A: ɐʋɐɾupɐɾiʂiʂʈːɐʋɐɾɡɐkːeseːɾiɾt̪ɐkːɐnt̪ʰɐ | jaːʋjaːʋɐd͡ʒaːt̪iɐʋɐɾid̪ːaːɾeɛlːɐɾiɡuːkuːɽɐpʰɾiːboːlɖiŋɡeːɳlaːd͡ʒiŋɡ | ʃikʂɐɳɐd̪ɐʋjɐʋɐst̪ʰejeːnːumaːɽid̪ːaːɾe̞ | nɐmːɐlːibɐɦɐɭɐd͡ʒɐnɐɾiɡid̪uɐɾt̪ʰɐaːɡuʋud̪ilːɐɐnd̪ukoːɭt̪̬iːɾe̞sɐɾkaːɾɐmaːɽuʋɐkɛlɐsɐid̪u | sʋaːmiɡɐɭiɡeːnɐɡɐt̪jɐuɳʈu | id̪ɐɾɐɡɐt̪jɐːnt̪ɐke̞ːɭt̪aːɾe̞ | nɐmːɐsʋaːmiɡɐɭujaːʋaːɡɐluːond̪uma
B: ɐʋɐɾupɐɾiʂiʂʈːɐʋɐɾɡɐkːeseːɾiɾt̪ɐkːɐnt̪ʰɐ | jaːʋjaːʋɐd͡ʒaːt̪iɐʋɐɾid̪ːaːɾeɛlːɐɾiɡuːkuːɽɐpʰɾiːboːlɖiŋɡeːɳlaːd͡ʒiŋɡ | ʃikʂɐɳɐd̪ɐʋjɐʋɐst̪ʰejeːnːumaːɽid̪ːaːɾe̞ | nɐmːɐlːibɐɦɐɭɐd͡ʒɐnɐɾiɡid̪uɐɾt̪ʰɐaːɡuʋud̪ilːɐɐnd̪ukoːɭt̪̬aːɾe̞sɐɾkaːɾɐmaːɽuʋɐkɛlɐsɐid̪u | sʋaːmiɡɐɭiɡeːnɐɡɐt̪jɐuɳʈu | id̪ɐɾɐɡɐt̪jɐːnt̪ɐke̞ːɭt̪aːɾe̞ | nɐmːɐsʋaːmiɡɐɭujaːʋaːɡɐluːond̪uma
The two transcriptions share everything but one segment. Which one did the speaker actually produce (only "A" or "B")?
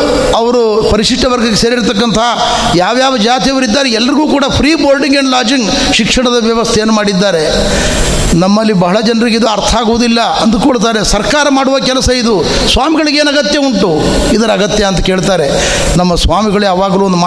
B